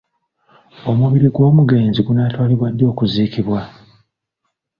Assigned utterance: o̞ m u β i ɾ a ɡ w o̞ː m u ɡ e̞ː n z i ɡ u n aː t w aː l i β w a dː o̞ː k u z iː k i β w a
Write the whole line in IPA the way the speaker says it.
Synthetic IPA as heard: o̞ m u β i ɾ i ɡ w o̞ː m u ɡ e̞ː n z i ɡ u n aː t w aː l i β w a dː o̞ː k u z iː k i β w a